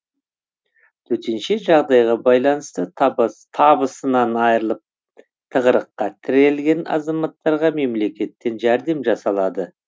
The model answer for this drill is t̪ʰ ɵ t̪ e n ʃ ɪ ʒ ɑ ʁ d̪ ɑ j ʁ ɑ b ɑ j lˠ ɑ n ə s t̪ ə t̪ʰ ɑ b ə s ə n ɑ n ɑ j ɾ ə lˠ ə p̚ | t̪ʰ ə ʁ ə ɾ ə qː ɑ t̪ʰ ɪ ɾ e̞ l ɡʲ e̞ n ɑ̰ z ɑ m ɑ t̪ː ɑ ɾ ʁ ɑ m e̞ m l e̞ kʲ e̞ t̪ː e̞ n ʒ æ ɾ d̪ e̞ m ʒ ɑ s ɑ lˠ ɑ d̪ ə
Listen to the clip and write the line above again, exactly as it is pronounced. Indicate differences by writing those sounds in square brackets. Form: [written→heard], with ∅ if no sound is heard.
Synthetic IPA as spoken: t̪ʰ ɵ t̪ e n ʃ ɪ ʒ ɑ ʁ d̪ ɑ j ʁ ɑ b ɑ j lˠ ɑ n ə s t̪ ə t̪ʰ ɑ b ə s ə n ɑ n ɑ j ɾ ə lˠ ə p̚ | t̪ʰ ə ʁ ə ɾ ə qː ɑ t̪ʰ ɪ ɾ e̞ l ɡʲ e̞ n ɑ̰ z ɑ m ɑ t̪ː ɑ ɾ ʁ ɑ m e̞ m l e̞ kʲ e̞ t̪ː e̞ n ʒ æ ɾ d̪ e̞ m ʒ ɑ s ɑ lˠ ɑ d̪ ə